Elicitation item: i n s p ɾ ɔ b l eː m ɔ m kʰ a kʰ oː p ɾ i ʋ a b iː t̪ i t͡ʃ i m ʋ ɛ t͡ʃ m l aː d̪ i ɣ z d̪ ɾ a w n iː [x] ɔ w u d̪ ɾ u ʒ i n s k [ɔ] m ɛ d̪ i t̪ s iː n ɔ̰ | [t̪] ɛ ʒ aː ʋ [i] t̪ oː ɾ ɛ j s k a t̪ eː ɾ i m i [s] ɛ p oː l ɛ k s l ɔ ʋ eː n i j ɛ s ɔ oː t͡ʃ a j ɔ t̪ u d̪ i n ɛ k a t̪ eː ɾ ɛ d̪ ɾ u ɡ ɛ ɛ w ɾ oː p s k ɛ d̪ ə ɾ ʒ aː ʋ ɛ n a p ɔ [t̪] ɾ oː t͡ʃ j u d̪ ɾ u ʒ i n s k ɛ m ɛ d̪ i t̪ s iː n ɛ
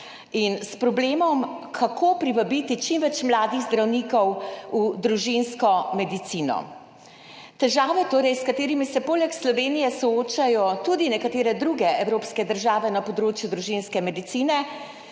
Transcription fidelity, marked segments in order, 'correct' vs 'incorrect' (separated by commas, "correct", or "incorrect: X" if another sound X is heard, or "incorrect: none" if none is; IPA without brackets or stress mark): incorrect: k, correct, correct, incorrect: ɛ, correct, incorrect: d̪